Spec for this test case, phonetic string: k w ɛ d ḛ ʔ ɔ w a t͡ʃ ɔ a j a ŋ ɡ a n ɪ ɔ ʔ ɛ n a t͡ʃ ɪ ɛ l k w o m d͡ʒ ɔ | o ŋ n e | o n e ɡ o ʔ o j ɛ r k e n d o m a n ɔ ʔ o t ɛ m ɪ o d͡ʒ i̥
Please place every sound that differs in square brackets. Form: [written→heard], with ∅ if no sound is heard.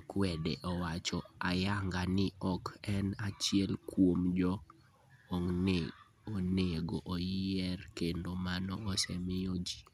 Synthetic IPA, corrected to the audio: k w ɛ d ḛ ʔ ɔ w a t͡ʃ ɔ a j a ŋ ɡ a n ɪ ɔ [ʔ→k] ɛ n a t͡ʃ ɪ ɛ l k w o m d͡ʒ ɔ | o ŋ n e | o n e ɡ o ʔ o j ɛ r k e n d o m a n ɔ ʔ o [t→s] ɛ m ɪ o d͡ʒ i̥